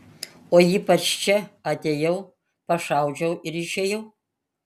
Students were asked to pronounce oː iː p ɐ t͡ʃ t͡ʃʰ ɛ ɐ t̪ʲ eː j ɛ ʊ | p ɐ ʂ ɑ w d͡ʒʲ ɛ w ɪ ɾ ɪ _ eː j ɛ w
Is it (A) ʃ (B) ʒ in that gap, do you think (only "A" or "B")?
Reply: A